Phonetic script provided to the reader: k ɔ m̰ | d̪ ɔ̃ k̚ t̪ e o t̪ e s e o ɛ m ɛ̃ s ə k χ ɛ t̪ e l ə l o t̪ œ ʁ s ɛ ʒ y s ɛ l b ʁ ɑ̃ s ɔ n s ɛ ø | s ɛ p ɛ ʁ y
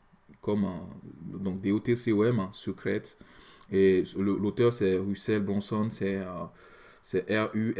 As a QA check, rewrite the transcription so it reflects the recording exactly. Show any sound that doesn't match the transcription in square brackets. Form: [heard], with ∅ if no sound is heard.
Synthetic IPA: k ɔ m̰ | d̪ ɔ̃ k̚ [d̪] e o t̪ e s e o ɛ m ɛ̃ s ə k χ ɛ t̪ e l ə l o t̪ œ ʁ s ɛ [ʁ] y s ɛ l b ʁ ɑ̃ s ɔ n s ɛ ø | s ɛ [ʔ] ɛ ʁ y